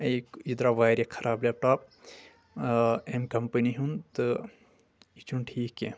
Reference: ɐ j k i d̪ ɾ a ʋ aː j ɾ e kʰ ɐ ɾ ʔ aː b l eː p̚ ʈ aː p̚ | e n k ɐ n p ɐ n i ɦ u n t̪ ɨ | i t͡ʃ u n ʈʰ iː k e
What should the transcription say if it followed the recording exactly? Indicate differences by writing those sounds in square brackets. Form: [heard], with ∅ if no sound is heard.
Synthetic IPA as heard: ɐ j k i d̪ ɾ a ʋ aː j ɾ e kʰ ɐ ɾ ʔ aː b l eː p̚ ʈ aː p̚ | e [m] k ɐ [m] p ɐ n i ɦ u n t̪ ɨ | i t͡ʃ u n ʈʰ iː k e